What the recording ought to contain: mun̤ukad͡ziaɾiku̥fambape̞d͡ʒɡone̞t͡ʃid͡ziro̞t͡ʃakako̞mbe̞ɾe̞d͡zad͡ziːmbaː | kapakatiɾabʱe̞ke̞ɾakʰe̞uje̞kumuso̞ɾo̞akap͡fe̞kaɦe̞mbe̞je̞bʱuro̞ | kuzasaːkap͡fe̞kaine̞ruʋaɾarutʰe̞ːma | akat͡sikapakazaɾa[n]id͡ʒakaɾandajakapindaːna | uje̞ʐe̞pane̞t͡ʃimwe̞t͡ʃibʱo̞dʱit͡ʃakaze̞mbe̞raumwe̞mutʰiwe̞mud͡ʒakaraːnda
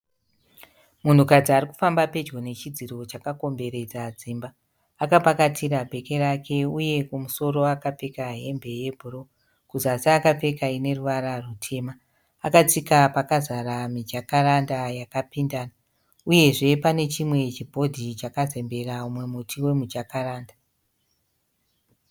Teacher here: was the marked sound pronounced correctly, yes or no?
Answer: no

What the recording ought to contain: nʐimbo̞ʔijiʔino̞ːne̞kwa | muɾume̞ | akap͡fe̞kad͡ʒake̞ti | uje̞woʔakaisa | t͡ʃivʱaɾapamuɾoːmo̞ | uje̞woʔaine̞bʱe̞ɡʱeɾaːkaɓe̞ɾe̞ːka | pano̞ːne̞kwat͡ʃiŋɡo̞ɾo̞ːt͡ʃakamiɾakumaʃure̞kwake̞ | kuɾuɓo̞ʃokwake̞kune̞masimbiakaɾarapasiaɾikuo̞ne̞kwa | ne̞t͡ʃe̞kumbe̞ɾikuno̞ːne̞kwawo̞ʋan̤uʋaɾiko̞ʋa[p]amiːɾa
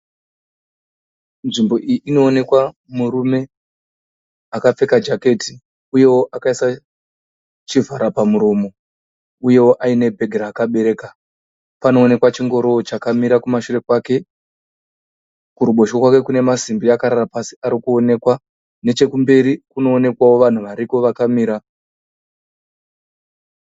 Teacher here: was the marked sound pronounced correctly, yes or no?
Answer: no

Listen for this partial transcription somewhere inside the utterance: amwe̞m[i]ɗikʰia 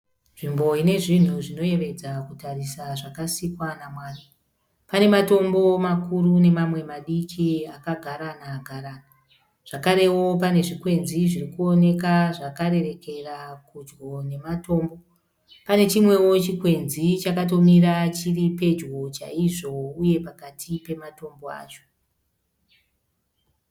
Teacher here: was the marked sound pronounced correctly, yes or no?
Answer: no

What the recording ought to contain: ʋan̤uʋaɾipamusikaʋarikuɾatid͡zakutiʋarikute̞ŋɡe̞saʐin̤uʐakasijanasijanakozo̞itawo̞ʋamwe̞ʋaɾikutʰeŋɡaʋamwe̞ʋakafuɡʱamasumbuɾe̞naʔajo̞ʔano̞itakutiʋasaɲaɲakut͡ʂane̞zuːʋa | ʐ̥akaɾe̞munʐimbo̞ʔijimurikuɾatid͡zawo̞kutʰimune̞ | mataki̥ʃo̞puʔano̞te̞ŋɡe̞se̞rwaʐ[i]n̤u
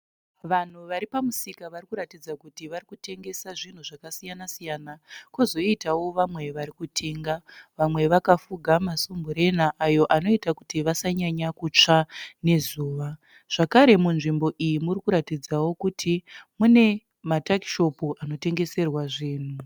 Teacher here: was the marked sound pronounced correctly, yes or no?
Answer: no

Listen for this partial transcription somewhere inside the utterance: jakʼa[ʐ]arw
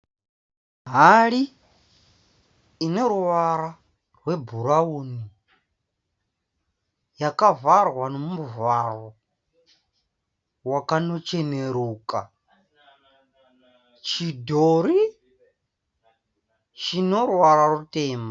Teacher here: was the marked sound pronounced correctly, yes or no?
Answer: no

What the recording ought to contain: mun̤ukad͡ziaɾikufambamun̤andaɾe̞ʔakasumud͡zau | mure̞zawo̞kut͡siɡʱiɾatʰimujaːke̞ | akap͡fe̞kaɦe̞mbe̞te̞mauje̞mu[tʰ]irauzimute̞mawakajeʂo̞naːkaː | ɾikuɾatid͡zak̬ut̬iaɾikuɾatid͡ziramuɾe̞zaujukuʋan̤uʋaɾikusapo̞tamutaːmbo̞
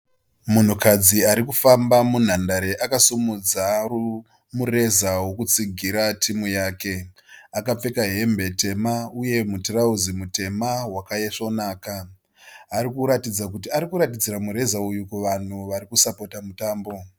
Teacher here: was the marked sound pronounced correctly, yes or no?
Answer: no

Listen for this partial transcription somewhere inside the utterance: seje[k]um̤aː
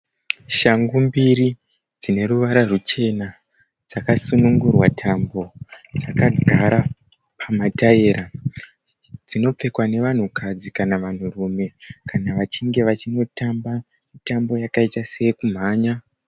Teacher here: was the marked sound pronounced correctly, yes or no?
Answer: yes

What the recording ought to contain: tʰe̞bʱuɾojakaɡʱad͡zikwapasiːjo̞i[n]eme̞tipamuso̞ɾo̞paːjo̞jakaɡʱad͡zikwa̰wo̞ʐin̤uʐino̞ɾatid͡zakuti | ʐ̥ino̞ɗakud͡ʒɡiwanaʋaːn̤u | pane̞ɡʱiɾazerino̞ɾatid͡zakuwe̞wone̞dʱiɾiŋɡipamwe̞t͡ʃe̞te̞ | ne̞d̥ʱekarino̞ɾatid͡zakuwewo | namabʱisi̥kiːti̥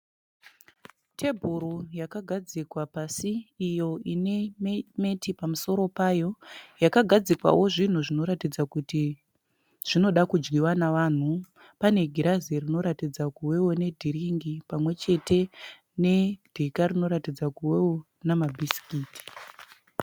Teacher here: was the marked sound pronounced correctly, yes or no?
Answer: yes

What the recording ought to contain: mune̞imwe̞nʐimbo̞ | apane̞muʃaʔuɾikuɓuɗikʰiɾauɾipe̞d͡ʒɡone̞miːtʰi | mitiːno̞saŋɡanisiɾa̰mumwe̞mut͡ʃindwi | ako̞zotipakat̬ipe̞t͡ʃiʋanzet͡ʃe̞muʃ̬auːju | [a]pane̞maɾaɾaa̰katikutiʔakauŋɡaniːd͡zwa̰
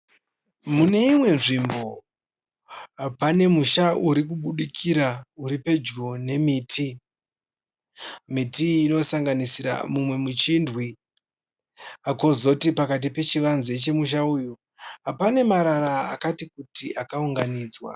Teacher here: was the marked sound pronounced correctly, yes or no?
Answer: yes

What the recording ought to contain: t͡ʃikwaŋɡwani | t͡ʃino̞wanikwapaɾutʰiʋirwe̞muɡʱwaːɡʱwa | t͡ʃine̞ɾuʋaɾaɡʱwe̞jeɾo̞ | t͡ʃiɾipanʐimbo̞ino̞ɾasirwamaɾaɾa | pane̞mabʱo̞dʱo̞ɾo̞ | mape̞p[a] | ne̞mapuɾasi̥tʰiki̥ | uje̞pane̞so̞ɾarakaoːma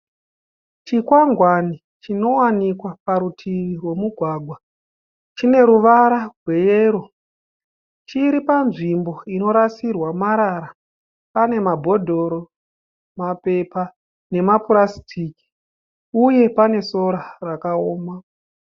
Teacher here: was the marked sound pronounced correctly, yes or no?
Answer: yes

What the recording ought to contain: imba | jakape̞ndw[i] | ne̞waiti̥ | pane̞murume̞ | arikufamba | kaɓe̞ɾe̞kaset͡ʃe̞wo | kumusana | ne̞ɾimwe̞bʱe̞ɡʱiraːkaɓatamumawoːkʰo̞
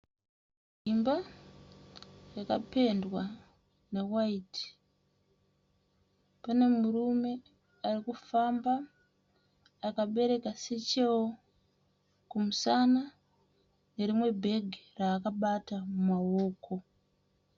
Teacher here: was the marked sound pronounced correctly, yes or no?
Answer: no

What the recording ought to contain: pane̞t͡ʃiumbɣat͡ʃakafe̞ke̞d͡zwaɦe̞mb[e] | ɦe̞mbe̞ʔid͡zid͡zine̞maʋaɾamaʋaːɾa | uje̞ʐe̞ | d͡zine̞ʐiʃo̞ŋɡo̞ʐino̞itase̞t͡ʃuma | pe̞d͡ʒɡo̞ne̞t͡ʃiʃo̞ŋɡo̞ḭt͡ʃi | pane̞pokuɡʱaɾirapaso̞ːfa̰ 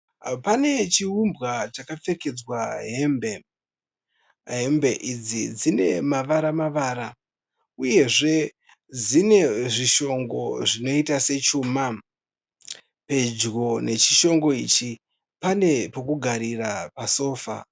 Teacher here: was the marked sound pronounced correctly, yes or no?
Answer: yes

